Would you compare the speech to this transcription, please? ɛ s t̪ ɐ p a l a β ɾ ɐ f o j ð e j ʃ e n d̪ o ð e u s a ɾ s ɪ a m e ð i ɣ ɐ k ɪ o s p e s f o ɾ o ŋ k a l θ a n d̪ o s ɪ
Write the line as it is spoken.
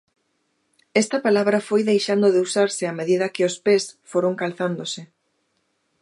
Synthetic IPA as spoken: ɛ s t̪ ɐ p a l a β ɾ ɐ f o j ð e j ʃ a n d̪ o ð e u s a ɾ s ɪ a m e ð i ð ɐ k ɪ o s p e s f o ɾ o ŋ k a l θ a n d̪ o s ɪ